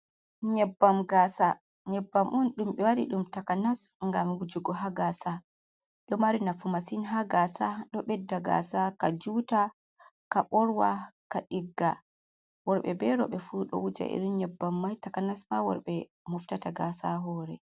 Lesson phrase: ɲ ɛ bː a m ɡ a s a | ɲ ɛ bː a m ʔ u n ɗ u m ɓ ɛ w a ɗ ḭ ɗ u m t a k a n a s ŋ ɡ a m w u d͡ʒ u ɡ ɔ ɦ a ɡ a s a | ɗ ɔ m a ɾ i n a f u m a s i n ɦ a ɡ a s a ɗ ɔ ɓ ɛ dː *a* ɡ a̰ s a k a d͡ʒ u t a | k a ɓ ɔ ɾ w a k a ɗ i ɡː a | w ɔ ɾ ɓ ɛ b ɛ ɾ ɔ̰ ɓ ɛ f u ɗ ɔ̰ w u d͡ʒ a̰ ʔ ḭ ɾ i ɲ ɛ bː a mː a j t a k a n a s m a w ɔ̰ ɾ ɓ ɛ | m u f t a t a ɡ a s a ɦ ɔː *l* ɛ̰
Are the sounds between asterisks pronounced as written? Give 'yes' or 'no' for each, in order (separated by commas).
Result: yes, no